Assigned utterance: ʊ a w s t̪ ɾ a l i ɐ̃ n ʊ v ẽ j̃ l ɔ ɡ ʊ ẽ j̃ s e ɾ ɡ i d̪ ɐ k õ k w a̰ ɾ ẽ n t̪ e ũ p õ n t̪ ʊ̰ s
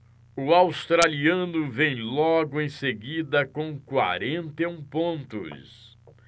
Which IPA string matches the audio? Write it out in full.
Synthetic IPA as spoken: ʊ a w s t̪ ɾ a l i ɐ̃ n ʊ v ẽ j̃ l ɔ ɡ ʊ ẽ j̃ s e ɡ i d̪ ɐ k õ k w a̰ ɾ ẽ n t̪ e ũ p õ n t̪ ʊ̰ s